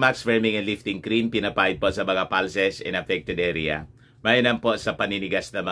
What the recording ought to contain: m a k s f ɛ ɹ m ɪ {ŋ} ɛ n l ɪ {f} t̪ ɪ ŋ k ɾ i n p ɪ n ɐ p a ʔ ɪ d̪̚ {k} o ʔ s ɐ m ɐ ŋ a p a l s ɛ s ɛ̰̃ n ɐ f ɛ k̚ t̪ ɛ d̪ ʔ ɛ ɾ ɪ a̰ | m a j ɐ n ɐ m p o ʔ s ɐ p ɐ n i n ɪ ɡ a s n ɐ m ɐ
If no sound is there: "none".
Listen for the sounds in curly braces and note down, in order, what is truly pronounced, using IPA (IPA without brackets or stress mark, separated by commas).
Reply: ŋ, f, p